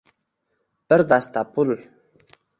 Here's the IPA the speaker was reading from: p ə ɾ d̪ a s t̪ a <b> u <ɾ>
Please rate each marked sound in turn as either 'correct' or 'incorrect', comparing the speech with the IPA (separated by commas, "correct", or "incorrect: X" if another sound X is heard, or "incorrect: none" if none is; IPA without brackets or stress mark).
incorrect: p, incorrect: l